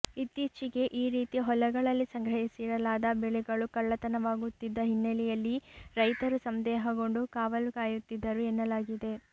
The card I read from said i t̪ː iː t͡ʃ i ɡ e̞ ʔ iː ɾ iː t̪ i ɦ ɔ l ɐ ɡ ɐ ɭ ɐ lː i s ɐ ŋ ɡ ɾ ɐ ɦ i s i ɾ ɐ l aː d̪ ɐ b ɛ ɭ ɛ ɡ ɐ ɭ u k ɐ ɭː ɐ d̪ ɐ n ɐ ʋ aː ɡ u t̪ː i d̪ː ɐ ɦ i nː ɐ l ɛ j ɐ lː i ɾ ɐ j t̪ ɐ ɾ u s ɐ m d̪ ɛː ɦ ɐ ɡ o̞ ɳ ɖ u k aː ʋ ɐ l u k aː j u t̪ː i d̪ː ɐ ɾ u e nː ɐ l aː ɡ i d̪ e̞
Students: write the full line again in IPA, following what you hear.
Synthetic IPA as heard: i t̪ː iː t͡ʃ i ɡ e̞ ʔ iː ɾ iː t̪ i ɦ ɔ l ɐ ɡ ɐ ɭ ɐ lː i s ɐ ŋ ɡ ɾ ɐ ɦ i s i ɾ ɐ l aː d̪ ɐ b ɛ ɭ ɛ ɡ ɐ ɭ u k ɐ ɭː ɐ t̪ ɐ n ɐ ʋ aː ɡ u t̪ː i d̪ː ɐ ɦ i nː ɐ l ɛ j ɐ lː i ɾ ɐ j t̪ ɐ ɾ u s ɐ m d̪ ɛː ɦ ɐ ɡ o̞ ɳ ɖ u k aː ʋ ɐ l u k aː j u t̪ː i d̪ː ɐ ɾ u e nː ɐ l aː ɡ i d̪ e̞

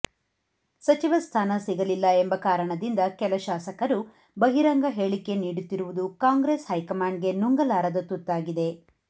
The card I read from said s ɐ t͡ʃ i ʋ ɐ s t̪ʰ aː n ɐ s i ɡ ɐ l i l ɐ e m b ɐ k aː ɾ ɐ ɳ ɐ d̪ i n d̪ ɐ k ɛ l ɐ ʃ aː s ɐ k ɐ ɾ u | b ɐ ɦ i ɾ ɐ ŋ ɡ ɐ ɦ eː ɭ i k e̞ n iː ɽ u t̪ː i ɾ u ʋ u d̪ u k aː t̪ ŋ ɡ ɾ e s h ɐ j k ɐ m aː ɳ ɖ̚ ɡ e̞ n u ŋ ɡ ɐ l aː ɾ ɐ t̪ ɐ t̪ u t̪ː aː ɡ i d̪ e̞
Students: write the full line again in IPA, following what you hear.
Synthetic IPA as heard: s ɐ t͡ʃ i ʋ ɐ s t̪ʰ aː n ɐ s i ɡ ɐ l i lː ɐ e m b ɐ k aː ɾ ɐ ɳ ɐ d̪ i n d̪ ɐ k ɛ l ɐ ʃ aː s ɐ k ɐ ɾ u | b ɐ ɦ i ɾ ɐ ŋ ɡ ɐ ɦ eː ɭ i k e̞ n iː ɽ u t̪ː i ɾ u ʋ u d̪ u k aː ŋ ɡ ɾ e s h ɐ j k ɐ m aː ɳ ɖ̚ ɡ e̞ n u ŋ ɡ ɐ l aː ɾ ɐ d̪ ɐ t̪ u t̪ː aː ɡ i d̪ e̞

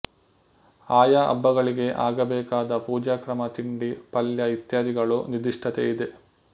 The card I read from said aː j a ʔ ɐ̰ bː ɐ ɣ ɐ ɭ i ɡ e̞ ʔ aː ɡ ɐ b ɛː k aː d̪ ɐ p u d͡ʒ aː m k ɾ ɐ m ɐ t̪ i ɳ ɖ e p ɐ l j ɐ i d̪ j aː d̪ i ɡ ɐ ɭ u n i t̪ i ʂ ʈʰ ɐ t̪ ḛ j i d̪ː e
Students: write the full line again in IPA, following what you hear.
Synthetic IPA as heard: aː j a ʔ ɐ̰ bː ɐ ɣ ɐ ɭ i ɡ e̞ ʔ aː ɡ ɐ b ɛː k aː d̪ ɐ p uː d͡ʒ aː k ɾ ɐ m ɐ t̪ i ɳ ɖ i p ɐ l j ɐ i t̪ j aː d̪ i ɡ ɐ ɭ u n i d̪ i ʂ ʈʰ ɐ t̪ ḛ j i d̪ e

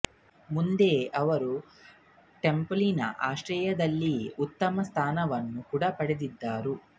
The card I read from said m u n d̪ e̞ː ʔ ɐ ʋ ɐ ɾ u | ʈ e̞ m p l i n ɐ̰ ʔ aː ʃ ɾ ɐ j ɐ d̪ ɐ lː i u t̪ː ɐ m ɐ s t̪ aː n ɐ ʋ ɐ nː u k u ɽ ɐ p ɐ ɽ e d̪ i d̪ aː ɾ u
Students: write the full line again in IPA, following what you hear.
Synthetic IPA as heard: m u n d̪ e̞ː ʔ ɐ ʋ ɐ ɾ u | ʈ e̞ m p l i n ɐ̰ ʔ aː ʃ ɾ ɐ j ɐ d̪ ɐ lː i u t̪ː ɐ m ɐ s t̪ʰ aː n ɐ ʋ ɐ nː u k u ɽ ɐ p ɐ ɽ e d̪ i d̪ː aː ɾ u

